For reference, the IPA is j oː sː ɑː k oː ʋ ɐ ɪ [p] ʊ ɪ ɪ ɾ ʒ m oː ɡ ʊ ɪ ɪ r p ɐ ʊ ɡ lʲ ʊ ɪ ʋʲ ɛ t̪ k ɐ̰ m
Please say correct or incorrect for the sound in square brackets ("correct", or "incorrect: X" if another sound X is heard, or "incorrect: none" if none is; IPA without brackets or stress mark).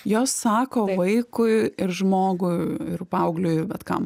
incorrect: k